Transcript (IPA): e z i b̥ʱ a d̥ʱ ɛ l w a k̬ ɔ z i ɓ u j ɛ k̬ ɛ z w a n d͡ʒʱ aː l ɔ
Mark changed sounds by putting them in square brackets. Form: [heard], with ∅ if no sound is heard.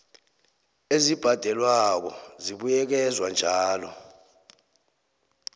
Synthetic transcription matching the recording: e z i b̥ʱ a d̥ʱ ɛ l w a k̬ ɔ z i ɓ u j ɛ k̬ ɛ z w a n d͡ʒʱ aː l ɔ